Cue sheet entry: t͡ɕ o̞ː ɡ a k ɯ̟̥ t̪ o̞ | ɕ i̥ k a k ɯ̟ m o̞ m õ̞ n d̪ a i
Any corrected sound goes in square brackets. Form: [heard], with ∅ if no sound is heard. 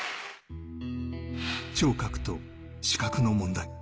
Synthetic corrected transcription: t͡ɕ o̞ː [k] a k ɯ̟̥ t̪ o̞ | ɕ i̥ k a k ɯ̟ [n] o̞ m õ̞ n d̪ a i